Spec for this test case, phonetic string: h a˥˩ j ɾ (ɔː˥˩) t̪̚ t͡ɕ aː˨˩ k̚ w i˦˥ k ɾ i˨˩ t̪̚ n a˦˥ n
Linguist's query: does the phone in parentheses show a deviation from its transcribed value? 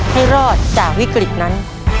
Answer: no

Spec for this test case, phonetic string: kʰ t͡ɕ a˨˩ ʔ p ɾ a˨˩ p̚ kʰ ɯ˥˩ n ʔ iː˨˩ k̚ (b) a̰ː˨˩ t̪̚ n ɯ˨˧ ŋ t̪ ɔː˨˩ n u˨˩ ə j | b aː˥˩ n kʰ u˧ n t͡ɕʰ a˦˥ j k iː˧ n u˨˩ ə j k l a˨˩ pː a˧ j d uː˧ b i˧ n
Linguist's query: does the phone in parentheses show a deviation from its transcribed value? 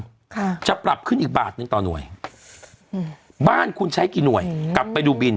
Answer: no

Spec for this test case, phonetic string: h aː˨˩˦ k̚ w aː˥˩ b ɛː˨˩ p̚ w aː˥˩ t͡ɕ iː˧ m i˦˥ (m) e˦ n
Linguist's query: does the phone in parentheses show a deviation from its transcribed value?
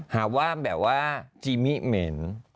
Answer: no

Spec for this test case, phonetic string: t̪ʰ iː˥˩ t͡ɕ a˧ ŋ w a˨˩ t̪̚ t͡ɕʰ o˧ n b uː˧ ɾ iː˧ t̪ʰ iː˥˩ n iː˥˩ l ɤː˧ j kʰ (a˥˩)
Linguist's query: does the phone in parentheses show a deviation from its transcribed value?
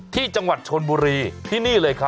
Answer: yes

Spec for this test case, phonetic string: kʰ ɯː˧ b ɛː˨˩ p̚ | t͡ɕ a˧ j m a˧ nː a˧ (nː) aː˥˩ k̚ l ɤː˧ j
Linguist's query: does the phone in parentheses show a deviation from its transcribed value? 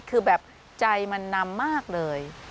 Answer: yes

